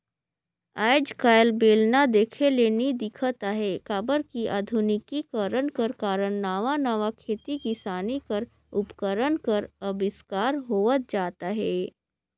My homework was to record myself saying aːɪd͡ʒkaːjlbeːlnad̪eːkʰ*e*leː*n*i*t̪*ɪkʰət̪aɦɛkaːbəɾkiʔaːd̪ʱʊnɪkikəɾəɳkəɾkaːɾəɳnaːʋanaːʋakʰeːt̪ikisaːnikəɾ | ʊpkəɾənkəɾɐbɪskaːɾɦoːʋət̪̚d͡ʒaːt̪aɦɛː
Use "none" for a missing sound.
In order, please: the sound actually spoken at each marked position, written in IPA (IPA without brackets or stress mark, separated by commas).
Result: e, n, d̪